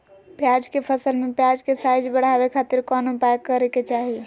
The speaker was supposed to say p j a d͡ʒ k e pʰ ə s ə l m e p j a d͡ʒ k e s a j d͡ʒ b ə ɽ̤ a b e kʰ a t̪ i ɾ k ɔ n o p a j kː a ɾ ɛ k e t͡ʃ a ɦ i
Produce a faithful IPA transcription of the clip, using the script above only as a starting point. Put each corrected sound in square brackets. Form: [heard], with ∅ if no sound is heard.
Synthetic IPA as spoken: p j a d͡ʒ k e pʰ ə s ə l m e p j a d͡ʒ k e s a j d͡ʒ b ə ɽ̤ a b e kʰ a t̪ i ɾ k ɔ n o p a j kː [ə] ɾ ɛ k e t͡ʃ a ɦ i